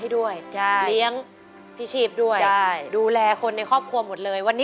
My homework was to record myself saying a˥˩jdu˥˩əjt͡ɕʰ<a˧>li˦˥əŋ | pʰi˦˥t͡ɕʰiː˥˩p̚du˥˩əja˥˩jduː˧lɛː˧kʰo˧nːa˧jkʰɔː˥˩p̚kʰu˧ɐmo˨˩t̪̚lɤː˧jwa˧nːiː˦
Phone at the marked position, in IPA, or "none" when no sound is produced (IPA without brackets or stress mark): a˥˩